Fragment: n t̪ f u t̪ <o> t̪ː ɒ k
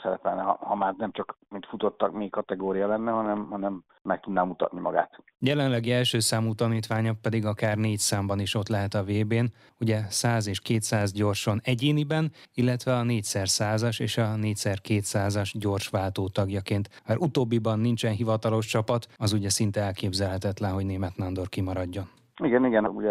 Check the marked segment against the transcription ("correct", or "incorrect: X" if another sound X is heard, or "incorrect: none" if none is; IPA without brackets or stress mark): correct